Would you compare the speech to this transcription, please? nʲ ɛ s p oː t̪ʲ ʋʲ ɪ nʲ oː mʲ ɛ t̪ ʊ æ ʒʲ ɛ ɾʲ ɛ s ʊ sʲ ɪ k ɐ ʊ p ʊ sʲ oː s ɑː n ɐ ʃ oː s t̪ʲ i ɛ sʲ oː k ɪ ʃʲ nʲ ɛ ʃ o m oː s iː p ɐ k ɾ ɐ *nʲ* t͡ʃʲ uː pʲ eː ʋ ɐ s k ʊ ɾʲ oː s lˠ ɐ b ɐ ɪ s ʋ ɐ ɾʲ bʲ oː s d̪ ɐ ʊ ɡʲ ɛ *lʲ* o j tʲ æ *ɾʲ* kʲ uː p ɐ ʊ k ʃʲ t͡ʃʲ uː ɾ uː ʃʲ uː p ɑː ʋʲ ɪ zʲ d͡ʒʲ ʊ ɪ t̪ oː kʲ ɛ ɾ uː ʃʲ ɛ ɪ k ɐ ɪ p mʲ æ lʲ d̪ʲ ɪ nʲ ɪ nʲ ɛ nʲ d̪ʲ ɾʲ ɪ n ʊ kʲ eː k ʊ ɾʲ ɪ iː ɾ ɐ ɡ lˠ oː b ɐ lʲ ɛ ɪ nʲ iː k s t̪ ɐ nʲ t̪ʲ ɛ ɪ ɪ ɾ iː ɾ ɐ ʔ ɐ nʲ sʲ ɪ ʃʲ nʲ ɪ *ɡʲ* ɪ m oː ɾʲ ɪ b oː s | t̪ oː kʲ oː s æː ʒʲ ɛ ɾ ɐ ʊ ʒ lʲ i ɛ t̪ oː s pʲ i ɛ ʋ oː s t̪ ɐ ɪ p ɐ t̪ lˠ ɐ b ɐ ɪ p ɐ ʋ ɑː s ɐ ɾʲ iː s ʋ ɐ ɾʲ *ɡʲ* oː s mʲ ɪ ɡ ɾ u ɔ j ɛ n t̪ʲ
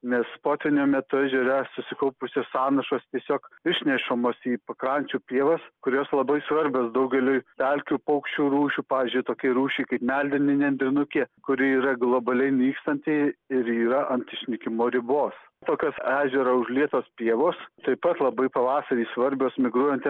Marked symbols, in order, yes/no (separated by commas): yes, yes, no, no, no